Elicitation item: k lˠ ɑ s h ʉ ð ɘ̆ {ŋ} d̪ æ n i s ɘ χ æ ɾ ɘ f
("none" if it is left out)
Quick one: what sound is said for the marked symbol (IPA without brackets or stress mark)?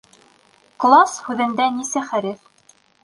n